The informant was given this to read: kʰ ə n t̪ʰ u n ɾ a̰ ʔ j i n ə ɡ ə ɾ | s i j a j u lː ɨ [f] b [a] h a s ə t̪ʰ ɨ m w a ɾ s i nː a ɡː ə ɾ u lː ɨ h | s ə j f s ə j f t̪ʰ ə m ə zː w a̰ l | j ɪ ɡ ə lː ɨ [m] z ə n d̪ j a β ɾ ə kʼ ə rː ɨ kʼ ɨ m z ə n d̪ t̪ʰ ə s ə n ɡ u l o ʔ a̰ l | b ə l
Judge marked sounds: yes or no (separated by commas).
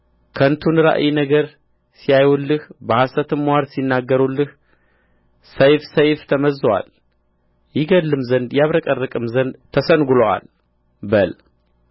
no, no, yes